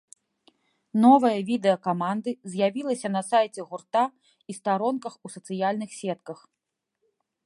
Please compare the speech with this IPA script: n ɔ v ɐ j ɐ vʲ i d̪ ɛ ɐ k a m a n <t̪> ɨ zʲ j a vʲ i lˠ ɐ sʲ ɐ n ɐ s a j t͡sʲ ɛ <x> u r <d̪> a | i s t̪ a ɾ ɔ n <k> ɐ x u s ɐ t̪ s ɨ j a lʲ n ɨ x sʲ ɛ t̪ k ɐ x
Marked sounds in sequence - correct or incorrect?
incorrect: d̪, incorrect: ɣ, incorrect: t̪, correct

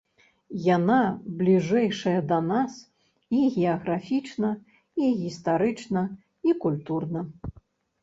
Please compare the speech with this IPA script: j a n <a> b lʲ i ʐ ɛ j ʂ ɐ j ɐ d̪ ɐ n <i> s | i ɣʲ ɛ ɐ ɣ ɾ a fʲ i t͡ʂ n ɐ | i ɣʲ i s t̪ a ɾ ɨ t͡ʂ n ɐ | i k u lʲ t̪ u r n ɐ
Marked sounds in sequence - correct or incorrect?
correct, incorrect: a

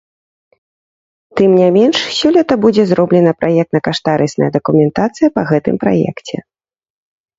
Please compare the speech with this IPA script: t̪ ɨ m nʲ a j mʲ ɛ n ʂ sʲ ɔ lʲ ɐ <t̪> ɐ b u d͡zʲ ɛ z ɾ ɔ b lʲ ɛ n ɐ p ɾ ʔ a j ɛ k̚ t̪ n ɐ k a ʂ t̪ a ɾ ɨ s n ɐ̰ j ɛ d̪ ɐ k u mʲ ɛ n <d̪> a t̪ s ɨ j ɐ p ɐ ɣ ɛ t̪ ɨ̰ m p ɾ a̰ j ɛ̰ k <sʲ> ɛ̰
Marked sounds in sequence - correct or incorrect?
correct, incorrect: t̪, incorrect: t͡sʲ

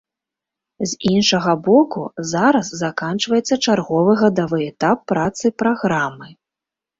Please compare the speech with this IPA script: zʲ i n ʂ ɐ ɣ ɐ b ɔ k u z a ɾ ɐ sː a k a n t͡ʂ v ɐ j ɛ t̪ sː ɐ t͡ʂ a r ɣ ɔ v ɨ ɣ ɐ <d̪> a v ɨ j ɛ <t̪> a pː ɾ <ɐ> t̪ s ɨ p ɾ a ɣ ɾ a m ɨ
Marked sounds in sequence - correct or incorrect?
correct, correct, incorrect: a

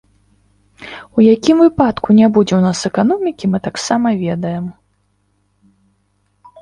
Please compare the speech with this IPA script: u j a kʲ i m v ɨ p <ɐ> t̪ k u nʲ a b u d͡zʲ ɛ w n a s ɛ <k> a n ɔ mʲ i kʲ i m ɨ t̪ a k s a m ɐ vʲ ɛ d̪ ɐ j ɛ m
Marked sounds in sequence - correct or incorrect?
incorrect: a, correct

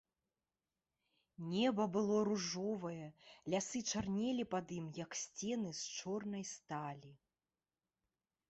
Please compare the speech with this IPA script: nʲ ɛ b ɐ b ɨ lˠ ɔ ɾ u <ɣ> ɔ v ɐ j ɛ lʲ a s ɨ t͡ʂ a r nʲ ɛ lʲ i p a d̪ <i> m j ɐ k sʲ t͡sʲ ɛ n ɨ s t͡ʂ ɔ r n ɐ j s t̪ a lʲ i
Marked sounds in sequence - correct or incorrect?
incorrect: ʐ, correct

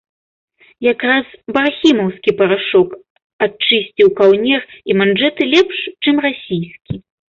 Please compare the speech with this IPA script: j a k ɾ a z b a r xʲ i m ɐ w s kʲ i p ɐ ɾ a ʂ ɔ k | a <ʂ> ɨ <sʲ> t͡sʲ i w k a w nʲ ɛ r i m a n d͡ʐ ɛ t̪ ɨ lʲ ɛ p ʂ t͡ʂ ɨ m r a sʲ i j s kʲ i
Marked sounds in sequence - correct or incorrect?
incorrect: t͡ʂ, correct

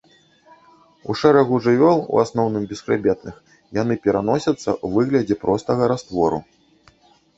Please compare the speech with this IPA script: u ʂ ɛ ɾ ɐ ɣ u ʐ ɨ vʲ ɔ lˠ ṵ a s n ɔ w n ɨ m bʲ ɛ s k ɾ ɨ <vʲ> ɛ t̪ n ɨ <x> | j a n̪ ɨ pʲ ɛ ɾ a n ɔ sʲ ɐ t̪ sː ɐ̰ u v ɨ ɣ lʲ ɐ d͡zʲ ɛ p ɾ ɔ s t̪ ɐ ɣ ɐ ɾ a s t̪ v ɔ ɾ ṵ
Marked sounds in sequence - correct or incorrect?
incorrect: bʲ, correct

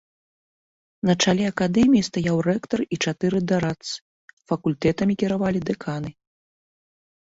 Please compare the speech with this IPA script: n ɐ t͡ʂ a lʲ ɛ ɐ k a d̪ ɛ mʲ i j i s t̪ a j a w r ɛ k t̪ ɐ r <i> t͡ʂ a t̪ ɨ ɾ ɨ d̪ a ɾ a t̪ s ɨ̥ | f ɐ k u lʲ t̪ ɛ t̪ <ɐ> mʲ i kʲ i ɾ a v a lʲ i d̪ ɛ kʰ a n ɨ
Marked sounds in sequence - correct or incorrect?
correct, correct

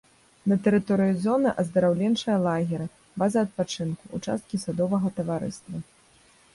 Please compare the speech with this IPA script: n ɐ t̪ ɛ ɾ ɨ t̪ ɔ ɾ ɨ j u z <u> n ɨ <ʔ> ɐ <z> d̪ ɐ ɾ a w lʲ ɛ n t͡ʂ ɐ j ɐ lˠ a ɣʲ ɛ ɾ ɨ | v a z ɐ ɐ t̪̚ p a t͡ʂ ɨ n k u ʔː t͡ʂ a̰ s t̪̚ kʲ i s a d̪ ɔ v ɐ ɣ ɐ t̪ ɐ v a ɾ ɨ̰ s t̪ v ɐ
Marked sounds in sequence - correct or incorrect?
incorrect: ɔ, correct, correct

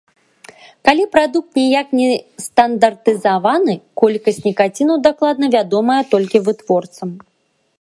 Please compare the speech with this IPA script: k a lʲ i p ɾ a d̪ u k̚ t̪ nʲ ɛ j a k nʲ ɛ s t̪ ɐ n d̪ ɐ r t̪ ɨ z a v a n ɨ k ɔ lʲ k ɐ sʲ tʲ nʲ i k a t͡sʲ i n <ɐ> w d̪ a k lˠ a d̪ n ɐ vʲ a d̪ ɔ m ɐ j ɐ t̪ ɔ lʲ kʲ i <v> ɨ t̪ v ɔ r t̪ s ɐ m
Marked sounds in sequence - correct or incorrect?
correct, correct

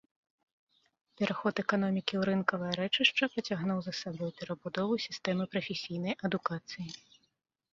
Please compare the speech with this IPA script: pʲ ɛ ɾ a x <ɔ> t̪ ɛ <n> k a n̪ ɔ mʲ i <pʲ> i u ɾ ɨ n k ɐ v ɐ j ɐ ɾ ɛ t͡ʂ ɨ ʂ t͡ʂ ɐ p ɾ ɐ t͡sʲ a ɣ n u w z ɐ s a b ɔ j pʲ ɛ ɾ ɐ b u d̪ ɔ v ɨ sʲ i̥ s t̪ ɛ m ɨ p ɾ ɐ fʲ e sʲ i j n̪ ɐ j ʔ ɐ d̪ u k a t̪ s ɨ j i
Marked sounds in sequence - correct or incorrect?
correct, incorrect: none, incorrect: kʲ

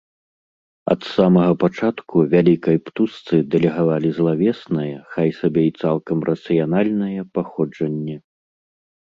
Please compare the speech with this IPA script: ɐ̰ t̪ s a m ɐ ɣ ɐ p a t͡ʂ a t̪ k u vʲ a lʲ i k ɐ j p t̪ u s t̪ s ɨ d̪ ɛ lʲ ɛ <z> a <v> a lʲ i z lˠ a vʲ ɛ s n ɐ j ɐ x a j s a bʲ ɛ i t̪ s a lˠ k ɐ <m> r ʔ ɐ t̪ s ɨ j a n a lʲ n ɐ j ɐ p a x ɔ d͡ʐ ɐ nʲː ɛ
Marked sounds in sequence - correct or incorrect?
incorrect: ɣ, correct, correct

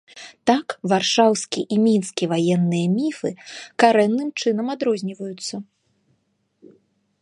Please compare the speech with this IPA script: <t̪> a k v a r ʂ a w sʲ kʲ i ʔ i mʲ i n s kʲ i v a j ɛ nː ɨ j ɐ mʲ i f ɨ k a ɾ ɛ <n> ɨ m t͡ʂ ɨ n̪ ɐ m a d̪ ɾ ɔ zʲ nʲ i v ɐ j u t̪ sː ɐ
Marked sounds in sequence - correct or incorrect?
correct, incorrect: nː

